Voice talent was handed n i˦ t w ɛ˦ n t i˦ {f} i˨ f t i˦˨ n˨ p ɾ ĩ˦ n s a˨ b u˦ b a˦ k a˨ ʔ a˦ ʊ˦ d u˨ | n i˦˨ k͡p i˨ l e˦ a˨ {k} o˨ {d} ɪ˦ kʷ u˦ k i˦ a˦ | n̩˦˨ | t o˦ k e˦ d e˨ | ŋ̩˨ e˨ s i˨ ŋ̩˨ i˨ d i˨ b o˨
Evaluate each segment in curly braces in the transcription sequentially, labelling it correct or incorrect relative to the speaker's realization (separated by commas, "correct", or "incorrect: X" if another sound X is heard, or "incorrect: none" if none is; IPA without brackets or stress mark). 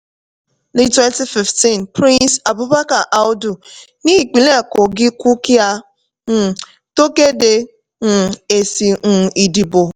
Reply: correct, correct, incorrect: ɡ